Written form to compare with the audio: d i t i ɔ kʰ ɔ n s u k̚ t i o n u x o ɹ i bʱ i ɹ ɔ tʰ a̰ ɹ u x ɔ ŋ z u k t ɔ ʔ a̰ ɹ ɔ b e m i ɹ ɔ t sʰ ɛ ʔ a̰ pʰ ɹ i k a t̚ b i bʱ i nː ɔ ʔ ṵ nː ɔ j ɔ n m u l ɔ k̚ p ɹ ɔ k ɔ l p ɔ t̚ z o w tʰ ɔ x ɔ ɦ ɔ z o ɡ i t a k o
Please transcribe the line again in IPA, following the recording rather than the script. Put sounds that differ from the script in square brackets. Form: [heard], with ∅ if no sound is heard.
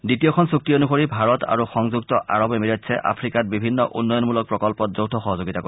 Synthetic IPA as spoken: d i t i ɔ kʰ ɔ n s u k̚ t i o n u x o ɹ i bʱ [a] ɹ ɔ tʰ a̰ ɹ u x ɔ ŋ z u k t ɔ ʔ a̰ ɹ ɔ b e m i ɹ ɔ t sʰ ɛ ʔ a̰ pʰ ɹ i k a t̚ b i bʱ i nː ɔ ʔ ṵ nː ɔ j ɔ n m u l ɔ k̚ p ɹ ɔ k ɔ l p ɔ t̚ z o w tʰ ɔ x ɔ ɦ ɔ z o ɡ i t a k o

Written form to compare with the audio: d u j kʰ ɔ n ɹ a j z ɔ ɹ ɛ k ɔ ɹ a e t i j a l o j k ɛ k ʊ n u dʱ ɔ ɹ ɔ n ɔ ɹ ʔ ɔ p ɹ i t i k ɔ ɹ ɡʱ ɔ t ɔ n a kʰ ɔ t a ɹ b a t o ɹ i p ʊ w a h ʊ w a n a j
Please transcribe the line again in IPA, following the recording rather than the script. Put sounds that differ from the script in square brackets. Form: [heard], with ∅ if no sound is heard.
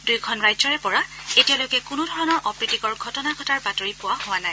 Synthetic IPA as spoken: d u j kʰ ɔ n ɹ a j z ɔ ɹ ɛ [p] ɔ ɹ a e t i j a l o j k ɛ k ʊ n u dʱ ɔ ɹ ɔ n ɔ ɹ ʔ ɔ p ɹ i t i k ɔ ɹ ɡʱ ɔ t ɔ n a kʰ ɔ t a ɹ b a t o ɹ i p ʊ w a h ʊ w a n a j

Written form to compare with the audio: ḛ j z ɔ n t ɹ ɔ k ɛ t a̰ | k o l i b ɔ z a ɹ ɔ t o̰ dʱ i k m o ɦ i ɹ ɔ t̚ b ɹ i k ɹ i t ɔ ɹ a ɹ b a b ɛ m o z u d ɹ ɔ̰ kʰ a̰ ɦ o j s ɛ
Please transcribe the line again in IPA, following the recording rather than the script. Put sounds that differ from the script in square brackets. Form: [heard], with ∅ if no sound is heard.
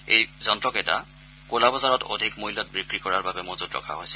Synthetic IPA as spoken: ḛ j z ɔ n t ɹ ɔ k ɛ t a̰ | k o l [a] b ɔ z a ɹ ɔ t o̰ dʱ i k m o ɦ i [l] ɔ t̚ b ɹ i k ɹ i [k] ɔ ɹ a ɹ b a b ɛ m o z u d ɹ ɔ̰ kʰ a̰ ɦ o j s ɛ

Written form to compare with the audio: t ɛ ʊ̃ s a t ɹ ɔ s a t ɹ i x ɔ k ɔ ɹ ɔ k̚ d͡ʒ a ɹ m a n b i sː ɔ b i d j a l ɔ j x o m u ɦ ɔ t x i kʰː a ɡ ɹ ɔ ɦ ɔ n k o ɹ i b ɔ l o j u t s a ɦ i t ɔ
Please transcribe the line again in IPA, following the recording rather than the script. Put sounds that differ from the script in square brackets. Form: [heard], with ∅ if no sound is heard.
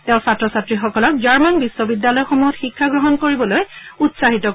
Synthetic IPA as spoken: t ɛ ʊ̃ s a t ɹ ɔ s a t ɹ i x ɔ k ɔ [l] ɔ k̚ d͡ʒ a ɹ m a n b i sː ɔ b i d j a l ɔ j x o m u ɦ ɔ t x i kʰː a ɡ ɹ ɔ ɦ ɔ n k o ɹ i b ɔ l o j u t s a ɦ i t ɔ

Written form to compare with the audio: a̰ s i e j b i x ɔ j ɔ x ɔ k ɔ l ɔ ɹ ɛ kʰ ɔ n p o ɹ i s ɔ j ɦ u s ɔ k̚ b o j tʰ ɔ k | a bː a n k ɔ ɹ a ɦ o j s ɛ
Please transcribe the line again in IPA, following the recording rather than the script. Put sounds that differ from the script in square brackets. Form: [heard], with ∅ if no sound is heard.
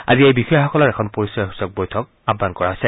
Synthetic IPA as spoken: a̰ [z] i e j b i x ɔ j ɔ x ɔ k ɔ l ɔ ɹ ɛ kʰ ɔ n p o ɹ i s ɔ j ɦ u s ɔ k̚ b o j tʰ ɔ k | a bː a n k ɔ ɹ a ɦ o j s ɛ

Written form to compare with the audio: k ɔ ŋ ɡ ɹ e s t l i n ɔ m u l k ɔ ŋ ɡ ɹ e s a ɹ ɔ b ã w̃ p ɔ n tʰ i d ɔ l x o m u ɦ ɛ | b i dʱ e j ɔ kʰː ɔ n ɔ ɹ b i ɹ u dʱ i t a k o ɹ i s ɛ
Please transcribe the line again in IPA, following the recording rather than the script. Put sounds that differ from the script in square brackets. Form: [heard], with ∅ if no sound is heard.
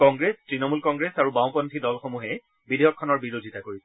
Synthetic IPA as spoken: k ɔ ŋ ɡ ɹ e s t [ɹ] i n ɔ m u l k ɔ ŋ ɡ ɹ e s a ɹ [u] b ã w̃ p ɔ n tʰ i d ɔ l x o m u ɦ ɛ | b i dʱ e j ɔ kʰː ɔ n ɔ ɹ b i ɹ [o] dʱ i t a k o ɹ i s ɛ

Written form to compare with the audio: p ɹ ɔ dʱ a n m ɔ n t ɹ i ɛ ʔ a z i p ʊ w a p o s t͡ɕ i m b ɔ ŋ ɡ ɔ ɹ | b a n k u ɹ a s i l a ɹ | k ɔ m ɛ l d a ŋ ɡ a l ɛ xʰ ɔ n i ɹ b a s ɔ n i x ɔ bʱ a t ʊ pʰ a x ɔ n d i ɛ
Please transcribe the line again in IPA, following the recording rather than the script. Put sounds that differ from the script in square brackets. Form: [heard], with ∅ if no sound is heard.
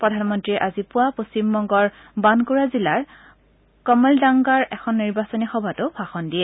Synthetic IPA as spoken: p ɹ ɔ dʱ a n m ɔ n t ɹ i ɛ ʔ a z i p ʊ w a p o s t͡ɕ i m b ɔ ŋ ɡ ɔ ɹ | b a n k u ɹ a [z] i l a ɹ | k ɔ m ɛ l d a ŋ ɡ a [ɹ] ɛ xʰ ɔ [nː] i ɹ b a s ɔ n i x ɔ bʱ a t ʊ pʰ a x ɔ n d i ɛ

